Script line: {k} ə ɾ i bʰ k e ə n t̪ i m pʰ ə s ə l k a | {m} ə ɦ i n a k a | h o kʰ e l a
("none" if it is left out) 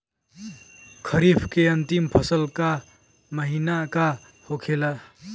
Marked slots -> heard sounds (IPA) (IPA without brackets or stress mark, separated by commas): kʰ, m